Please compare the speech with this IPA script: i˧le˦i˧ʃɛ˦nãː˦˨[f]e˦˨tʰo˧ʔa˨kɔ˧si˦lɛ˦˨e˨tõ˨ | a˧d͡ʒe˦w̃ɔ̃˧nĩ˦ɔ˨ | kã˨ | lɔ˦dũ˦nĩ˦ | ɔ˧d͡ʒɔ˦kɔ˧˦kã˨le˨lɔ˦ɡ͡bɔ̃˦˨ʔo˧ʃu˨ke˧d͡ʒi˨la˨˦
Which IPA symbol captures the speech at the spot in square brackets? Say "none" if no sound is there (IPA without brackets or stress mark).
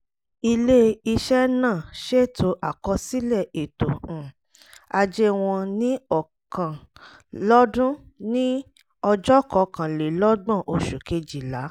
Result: ʃ